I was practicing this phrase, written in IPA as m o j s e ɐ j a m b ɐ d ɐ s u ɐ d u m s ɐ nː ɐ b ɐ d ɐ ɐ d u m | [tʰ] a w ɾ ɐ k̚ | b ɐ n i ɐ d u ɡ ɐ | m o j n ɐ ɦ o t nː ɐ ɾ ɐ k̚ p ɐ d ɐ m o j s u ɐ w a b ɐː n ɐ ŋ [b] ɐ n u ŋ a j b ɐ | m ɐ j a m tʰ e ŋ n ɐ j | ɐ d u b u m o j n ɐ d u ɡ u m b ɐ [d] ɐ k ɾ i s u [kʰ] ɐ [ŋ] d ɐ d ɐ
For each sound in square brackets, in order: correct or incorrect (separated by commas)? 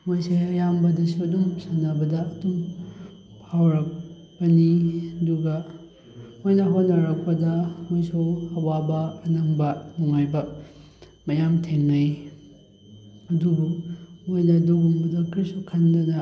incorrect, correct, correct, correct, incorrect